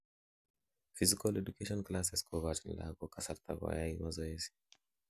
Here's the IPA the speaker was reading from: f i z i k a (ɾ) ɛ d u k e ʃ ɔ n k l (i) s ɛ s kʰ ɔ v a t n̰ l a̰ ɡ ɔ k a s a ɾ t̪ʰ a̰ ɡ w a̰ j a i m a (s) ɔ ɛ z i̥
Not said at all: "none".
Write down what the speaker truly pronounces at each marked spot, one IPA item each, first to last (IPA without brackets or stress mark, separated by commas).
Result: l, a, z